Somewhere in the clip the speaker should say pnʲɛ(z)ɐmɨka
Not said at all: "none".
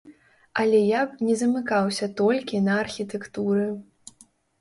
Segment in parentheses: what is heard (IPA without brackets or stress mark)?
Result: z